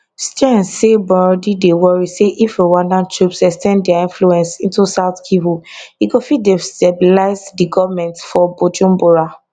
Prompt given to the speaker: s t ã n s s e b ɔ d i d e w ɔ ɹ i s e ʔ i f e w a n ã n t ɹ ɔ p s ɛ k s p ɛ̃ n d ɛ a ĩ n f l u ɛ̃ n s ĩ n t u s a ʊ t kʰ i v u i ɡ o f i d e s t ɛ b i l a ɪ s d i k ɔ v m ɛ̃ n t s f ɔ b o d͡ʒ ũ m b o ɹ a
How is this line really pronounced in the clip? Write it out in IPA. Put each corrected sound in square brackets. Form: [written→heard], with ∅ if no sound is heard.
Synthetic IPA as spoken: s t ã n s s e b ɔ d i d e w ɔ ɹ i s e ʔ i f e w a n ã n t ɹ [ɔ→u] p s ɛ k s [p→t] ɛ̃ n d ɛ a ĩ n f l u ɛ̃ n s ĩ n t u s a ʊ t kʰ i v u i ɡ o f i d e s t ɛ b i l a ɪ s d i [k→ɡ] ɔ v m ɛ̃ n t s f ɔ b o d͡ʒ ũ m b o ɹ a